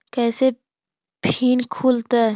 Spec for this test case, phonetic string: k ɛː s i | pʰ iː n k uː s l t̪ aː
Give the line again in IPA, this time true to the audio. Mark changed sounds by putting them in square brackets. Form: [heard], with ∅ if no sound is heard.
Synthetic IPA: k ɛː s [e] | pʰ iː n [kʰ] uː [∅] l t̪ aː